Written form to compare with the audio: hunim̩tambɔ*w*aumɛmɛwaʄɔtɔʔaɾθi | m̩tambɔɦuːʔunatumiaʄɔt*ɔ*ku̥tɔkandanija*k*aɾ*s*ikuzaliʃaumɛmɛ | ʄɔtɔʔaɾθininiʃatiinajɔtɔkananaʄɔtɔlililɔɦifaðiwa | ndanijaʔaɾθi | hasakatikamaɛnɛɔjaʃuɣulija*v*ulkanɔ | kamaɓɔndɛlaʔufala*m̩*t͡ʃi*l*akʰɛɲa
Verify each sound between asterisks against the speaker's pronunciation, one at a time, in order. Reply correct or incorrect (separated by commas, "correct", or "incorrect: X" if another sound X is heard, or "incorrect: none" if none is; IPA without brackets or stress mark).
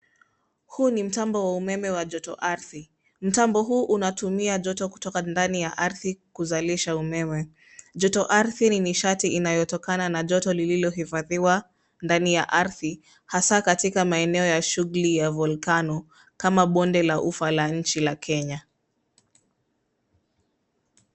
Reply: correct, correct, incorrect: ʔ, incorrect: θ, correct, incorrect: ɲ̩, correct